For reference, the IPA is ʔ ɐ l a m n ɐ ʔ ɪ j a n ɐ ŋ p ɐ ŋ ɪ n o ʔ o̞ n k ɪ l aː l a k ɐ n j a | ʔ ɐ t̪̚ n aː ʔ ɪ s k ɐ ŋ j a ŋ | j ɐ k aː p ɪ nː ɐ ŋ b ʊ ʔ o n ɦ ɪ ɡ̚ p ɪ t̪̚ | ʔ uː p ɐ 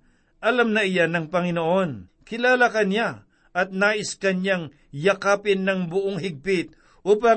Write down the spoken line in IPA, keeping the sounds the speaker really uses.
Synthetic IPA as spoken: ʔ ɐ l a m n ɐ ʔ ɪ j a n ɐ ŋ p ɐ ŋ ɪ n o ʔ o̞ n k ɪ l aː l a k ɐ n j a | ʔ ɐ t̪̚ n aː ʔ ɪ s k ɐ n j a ŋ | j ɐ k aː p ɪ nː ɐ ŋ b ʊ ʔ o ŋ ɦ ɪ ɡ̚ p ɪ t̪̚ | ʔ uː p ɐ